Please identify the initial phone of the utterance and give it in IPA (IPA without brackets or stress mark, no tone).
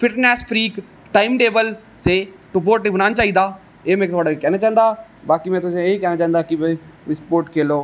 f